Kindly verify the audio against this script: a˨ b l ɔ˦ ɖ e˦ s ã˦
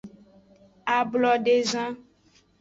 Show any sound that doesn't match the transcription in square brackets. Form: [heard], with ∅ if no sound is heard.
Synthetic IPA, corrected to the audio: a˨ b l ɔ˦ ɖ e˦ [z] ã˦